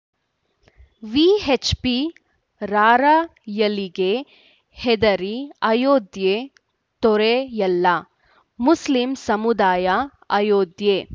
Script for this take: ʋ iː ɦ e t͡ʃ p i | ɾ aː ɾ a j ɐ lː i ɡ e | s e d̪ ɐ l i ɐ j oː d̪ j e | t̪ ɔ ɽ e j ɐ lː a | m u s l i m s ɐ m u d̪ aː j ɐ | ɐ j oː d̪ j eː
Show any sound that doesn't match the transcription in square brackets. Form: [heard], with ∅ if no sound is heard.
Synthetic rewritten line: ʋ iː ɦ e t͡ʃ p i | ɾ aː ɾ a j ɐ [l] i ɡ e | [h] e d̪ ɐ [ɾ] i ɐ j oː d̪ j e | t̪ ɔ [ɾ] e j ɐ lː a | m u s l i m s ɐ m u d̪ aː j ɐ | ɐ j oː d̪ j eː